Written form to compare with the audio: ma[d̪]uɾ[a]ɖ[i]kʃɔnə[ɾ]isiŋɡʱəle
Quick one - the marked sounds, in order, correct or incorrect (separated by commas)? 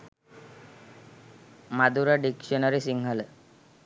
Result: correct, correct, correct, correct